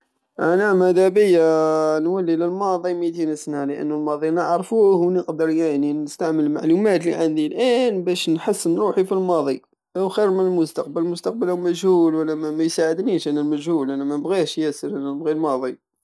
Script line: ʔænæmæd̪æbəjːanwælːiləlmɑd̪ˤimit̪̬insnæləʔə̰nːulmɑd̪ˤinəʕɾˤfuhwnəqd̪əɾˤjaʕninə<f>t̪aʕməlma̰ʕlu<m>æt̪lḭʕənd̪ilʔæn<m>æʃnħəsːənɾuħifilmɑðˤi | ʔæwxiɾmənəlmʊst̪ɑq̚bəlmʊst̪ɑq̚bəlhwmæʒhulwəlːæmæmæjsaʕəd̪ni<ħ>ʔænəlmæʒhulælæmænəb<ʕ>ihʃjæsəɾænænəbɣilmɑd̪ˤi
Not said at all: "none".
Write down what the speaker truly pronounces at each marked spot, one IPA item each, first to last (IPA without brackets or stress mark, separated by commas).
s, m, b, ʃ, ɣ